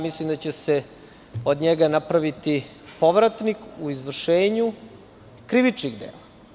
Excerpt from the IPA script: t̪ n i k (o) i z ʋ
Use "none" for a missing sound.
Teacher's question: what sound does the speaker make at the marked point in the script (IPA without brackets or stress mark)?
u